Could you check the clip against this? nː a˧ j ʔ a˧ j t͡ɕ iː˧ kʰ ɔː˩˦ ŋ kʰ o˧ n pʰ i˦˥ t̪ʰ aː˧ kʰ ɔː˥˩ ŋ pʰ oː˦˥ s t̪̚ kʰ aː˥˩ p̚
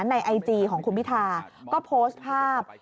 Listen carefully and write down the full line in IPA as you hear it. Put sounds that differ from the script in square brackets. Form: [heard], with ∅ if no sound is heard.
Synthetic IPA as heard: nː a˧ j ʔ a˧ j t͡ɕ iː˧ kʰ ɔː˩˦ ŋ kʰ [u˧] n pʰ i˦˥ t̪ʰ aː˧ [k] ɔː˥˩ [∅] pʰ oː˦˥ s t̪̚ [pʰ] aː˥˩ p̚